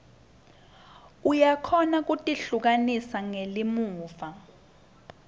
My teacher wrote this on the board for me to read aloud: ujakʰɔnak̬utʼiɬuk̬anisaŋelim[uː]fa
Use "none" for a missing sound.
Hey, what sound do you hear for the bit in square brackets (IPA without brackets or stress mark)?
uː